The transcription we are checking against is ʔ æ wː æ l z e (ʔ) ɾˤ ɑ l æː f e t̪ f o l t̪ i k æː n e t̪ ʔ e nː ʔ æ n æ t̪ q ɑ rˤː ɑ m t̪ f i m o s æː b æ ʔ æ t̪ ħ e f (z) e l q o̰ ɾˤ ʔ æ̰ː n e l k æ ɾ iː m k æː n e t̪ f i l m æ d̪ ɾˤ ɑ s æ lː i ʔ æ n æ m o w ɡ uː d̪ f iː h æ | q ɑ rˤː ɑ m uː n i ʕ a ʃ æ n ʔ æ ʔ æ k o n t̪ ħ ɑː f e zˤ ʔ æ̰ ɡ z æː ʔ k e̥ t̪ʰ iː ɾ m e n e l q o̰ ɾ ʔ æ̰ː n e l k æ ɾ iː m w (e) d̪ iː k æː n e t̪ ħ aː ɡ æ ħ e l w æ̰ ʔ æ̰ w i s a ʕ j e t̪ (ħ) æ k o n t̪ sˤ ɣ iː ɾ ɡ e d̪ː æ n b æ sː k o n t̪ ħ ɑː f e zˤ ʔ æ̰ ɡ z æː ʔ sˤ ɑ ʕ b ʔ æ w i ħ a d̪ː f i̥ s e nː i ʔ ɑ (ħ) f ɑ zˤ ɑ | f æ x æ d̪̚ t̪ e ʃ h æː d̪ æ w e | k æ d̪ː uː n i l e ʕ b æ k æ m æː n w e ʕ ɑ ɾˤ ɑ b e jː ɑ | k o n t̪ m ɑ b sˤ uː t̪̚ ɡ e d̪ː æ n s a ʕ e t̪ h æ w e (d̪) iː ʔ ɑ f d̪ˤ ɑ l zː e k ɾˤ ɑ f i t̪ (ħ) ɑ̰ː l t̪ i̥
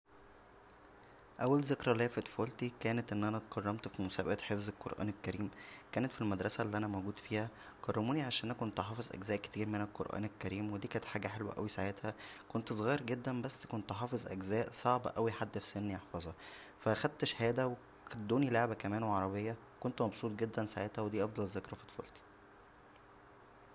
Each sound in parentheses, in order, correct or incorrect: incorrect, correct, correct, incorrect, correct, correct, incorrect

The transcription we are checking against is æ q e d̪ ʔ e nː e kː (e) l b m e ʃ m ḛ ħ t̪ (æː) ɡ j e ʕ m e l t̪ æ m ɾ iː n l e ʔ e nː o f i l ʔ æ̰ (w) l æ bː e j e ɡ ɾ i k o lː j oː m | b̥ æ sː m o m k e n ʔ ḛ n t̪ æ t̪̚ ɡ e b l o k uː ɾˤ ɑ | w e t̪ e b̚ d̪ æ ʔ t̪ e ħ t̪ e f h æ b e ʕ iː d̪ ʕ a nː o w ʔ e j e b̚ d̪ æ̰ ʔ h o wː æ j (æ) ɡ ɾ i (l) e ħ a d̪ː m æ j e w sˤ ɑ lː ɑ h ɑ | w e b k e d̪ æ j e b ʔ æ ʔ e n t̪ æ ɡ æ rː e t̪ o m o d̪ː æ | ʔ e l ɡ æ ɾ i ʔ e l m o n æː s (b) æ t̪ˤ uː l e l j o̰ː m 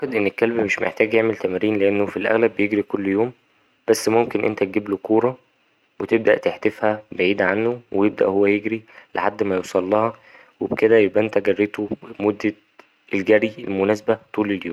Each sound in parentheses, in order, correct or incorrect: incorrect, correct, incorrect, incorrect, correct, correct

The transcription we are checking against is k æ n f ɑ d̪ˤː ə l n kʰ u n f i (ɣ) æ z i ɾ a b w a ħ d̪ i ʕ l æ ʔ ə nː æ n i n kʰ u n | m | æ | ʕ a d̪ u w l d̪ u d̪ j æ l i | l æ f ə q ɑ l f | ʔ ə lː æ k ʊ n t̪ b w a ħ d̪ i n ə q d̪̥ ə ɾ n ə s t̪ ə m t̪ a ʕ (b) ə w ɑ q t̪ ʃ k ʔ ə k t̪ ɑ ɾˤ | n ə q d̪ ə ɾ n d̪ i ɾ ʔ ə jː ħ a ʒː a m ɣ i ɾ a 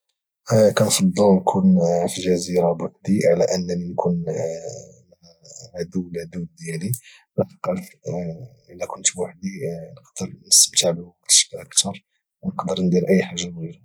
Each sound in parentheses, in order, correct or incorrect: incorrect, correct

